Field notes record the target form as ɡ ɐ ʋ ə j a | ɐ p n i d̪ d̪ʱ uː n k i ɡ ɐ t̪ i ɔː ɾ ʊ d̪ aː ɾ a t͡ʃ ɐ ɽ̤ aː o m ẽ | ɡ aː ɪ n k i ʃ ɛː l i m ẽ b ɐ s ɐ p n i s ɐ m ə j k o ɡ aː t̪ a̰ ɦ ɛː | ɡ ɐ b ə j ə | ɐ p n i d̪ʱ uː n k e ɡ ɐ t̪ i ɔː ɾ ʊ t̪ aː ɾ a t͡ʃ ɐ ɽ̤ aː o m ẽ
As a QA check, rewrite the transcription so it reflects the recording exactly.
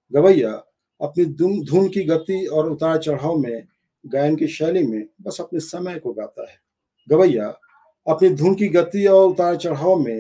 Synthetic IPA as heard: ɡ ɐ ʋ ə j a | ɐ p n i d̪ d̪ʱ uː n k i ɡ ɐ t̪ i ɔː ɾ ʊ t̪ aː ɾ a t͡ʃ ɐ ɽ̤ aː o m ẽ | ɡ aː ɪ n k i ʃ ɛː l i m ẽ b ɐ s ɐ p n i s ɐ m ə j k o ɡ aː t̪ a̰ ɦ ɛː | ɡ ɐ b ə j a | ɐ p n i d̪ʱ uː n k i ɡ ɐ t̪ i ɔː ɾ ʊ t̪ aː ɾ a t͡ʃ ɐ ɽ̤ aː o m ẽ